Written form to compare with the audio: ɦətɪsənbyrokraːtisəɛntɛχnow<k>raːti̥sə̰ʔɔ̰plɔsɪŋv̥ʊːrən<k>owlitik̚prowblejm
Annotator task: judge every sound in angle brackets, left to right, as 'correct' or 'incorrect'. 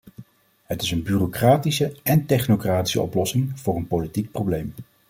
correct, incorrect: p

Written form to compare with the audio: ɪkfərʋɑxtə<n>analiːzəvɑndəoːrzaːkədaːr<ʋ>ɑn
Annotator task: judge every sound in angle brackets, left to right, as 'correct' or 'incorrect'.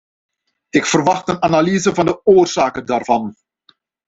correct, incorrect: v

